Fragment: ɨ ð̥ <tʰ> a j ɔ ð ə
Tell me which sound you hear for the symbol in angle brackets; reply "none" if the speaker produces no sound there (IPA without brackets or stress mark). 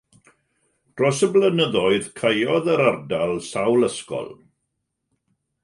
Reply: kʰ